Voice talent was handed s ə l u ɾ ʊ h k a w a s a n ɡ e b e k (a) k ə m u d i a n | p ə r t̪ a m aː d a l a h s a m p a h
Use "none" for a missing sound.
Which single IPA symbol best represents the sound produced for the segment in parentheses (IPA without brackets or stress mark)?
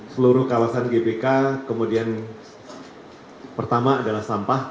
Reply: a